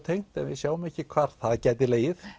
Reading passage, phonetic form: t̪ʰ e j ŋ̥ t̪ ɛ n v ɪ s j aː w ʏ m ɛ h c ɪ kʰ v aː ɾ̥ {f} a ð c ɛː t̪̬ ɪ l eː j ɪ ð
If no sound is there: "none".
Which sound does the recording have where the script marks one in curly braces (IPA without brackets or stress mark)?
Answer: θ